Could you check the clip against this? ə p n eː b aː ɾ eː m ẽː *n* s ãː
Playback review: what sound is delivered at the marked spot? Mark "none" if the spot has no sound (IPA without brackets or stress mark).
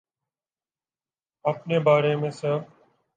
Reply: none